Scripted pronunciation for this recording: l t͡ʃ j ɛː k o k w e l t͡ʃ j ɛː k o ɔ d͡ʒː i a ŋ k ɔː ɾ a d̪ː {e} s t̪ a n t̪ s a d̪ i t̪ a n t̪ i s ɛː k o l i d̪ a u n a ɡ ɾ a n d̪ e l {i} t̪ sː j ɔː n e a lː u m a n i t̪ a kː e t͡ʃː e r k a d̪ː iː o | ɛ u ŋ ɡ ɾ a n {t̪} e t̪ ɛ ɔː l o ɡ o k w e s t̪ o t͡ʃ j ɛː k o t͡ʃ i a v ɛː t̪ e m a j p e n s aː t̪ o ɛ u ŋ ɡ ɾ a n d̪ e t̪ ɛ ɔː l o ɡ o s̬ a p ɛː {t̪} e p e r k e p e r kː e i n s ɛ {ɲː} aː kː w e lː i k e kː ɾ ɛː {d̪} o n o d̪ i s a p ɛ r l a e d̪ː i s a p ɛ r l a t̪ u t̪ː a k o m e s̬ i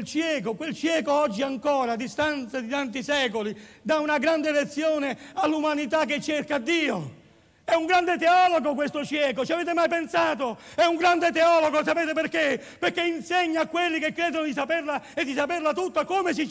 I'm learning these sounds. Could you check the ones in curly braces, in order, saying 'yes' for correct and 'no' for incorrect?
no, no, no, yes, yes, yes

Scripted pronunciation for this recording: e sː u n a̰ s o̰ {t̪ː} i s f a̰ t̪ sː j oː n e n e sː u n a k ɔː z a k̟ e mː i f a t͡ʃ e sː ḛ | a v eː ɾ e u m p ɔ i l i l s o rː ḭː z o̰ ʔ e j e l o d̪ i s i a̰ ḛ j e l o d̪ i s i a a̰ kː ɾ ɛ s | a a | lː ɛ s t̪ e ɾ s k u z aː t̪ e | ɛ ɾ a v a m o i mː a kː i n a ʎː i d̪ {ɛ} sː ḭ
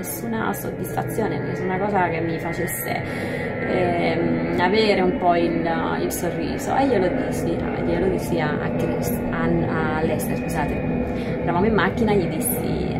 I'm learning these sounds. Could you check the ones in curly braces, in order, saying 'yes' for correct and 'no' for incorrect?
no, no

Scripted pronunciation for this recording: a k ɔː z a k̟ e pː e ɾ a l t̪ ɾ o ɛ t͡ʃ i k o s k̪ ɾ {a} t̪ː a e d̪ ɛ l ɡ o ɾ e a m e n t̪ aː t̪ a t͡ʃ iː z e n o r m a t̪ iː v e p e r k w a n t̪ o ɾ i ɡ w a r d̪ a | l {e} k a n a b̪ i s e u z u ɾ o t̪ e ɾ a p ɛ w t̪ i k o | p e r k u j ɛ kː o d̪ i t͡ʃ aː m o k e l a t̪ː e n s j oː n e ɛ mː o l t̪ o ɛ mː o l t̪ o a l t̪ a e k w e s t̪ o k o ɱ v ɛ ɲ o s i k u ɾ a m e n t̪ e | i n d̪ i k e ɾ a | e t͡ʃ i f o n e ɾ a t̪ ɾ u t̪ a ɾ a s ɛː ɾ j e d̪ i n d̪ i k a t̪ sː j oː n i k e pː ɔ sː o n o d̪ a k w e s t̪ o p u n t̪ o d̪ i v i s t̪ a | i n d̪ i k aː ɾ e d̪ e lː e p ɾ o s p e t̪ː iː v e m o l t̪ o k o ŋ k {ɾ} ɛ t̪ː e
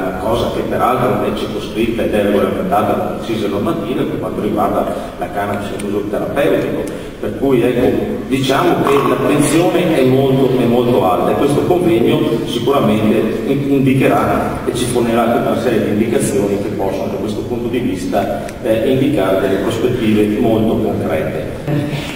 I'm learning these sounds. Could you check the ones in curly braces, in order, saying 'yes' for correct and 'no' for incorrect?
no, no, yes

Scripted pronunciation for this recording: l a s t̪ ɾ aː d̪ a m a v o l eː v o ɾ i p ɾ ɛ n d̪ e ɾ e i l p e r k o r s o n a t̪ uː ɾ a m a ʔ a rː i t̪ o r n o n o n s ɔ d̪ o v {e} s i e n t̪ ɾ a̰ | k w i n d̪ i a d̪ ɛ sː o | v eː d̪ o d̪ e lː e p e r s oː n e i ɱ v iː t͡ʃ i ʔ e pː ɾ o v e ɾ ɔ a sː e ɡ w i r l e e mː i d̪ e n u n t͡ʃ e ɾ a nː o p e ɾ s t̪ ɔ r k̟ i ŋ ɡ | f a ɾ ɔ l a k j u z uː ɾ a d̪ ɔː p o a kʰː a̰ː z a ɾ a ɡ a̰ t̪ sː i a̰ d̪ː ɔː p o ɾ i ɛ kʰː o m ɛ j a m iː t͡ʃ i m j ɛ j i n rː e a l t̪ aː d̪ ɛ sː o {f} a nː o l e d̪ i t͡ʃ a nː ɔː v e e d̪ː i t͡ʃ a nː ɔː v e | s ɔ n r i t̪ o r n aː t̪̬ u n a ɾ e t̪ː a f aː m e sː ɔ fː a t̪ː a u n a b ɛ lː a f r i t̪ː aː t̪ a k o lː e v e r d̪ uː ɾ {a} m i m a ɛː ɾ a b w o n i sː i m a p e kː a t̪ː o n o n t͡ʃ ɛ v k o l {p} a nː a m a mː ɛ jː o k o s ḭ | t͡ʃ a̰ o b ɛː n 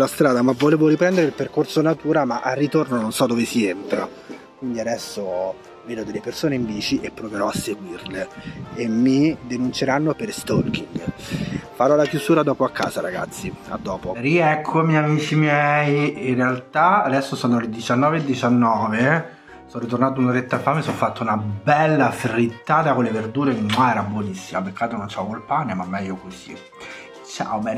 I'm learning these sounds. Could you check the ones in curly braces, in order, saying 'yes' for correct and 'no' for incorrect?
yes, no, no, yes

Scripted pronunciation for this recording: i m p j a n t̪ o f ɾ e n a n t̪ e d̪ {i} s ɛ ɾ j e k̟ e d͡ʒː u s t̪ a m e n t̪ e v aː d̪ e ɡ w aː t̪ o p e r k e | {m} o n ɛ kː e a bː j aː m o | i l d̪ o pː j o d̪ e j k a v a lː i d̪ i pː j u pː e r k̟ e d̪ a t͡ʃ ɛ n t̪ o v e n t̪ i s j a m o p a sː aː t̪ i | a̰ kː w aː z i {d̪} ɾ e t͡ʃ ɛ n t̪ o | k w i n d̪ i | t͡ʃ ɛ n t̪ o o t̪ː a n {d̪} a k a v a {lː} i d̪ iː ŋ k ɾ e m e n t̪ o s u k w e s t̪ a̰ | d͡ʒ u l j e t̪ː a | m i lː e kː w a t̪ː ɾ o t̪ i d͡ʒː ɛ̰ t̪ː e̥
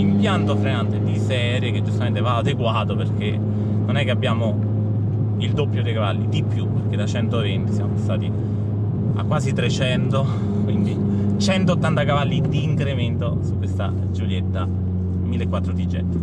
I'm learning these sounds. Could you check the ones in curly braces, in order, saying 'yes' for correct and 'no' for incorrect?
yes, no, no, no, yes

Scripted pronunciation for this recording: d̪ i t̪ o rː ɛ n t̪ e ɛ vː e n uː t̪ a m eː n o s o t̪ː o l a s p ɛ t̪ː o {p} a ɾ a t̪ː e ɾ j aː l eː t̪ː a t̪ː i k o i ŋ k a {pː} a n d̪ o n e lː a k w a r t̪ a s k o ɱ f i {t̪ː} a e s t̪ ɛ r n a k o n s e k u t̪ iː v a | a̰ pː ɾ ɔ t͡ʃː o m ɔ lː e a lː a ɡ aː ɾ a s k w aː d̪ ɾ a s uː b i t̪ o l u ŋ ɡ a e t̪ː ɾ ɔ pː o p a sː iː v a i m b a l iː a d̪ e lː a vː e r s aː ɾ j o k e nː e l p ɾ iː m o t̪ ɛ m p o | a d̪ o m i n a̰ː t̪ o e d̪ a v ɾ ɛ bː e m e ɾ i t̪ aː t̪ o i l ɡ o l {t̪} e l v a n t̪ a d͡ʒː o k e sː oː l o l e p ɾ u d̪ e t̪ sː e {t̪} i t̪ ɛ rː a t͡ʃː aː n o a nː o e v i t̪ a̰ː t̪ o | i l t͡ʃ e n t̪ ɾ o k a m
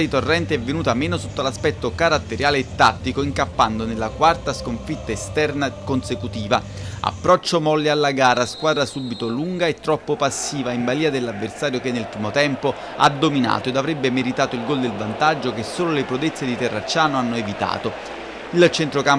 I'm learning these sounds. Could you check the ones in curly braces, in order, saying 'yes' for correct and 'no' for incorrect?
no, yes, yes, no, no

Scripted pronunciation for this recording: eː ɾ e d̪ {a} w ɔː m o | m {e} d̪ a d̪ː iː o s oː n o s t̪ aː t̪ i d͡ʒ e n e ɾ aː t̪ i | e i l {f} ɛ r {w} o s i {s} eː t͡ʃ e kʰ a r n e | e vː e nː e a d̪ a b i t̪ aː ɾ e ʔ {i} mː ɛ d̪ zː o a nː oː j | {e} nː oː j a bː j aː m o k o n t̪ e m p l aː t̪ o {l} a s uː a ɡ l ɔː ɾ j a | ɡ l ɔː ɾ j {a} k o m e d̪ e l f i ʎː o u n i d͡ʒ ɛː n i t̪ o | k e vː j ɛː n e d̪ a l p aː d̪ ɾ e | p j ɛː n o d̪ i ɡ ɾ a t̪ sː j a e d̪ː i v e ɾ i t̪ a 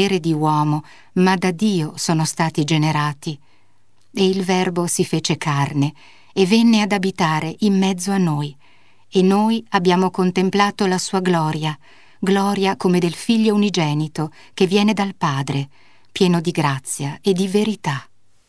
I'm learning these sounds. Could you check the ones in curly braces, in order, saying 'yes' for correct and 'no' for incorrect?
no, no, no, no, no, yes, yes, yes, yes

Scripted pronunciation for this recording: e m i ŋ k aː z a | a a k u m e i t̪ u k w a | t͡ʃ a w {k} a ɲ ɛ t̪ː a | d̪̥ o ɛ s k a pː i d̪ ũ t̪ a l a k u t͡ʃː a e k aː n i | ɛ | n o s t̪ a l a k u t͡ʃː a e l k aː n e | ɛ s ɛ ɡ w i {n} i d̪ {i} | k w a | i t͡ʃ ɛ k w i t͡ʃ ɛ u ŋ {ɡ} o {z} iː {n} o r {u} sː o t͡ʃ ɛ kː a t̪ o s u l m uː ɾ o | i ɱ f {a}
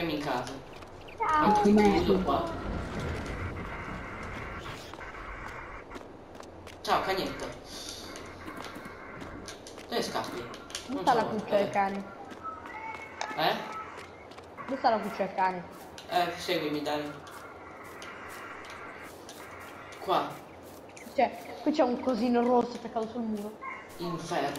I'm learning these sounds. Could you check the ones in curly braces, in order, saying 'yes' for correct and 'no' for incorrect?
yes, no, no, no, yes, yes, no, no

